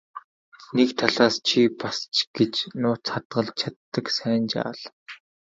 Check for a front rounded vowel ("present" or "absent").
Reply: absent